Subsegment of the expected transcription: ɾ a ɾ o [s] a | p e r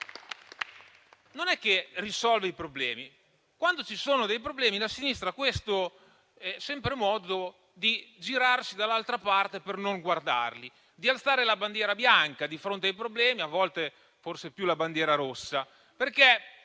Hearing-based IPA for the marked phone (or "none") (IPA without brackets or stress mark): sː